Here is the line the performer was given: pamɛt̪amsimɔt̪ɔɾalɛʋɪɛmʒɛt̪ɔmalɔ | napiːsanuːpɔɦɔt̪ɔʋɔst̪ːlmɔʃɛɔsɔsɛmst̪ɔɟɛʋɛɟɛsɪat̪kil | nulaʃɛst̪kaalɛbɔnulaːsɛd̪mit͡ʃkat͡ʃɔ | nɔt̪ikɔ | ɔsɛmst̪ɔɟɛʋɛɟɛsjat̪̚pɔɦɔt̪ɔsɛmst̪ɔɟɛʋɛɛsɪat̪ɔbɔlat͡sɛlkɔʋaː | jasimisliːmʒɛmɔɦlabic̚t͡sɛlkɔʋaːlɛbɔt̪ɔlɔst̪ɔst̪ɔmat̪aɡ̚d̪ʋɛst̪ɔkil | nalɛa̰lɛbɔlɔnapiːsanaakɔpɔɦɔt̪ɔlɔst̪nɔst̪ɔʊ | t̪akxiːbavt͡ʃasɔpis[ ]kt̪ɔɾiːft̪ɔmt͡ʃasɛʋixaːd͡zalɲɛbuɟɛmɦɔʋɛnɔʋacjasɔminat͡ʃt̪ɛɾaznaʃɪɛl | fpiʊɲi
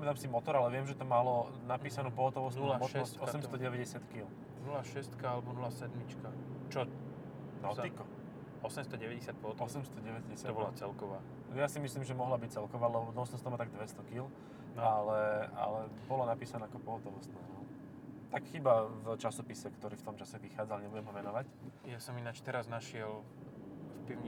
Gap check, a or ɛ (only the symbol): ɛ